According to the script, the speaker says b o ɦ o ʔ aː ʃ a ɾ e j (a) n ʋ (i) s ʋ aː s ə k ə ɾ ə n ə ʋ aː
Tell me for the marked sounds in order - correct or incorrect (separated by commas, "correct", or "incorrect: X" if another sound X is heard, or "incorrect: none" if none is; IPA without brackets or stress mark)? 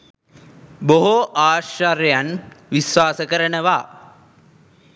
correct, correct